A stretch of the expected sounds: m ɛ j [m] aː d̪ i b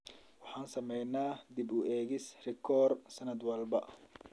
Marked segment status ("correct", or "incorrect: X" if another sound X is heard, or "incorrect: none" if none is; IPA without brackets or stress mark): incorrect: n